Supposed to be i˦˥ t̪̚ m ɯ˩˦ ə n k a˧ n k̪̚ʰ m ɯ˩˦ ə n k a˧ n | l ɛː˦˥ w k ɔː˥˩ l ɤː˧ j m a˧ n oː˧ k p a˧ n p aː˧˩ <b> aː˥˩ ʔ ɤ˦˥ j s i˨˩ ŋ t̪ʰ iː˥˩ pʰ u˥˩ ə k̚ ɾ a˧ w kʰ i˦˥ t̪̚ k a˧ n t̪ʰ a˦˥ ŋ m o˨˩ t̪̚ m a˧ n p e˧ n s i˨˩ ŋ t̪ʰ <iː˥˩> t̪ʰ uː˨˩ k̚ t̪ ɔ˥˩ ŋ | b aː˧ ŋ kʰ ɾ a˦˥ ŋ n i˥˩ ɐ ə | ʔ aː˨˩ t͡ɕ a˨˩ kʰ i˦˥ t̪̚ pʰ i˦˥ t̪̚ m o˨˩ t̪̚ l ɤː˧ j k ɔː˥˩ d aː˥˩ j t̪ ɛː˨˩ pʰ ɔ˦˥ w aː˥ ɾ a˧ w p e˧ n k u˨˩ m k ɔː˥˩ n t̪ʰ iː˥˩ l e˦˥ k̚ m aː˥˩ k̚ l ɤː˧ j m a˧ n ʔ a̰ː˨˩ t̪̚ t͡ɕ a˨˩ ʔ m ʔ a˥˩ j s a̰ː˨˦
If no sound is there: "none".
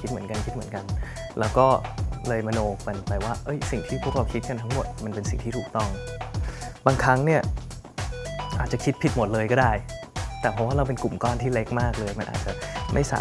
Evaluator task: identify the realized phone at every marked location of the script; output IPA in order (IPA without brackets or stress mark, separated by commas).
w, iː˥